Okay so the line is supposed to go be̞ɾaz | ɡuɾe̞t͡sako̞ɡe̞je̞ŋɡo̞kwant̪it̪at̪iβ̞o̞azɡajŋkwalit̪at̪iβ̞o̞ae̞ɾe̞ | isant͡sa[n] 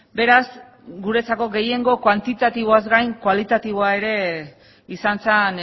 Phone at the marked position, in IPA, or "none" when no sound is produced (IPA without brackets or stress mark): n